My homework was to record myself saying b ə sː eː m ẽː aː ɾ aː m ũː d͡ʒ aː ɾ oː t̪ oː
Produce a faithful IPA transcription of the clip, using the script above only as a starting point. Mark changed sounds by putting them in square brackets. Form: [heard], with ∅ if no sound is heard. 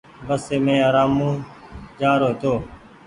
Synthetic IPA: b ə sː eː m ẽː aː ɾ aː m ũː d͡ʒ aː ɾ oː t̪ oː